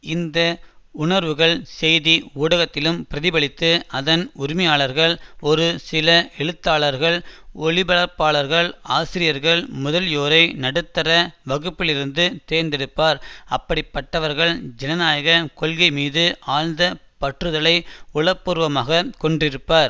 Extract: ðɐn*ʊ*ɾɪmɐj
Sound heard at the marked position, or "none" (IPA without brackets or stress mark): ʊ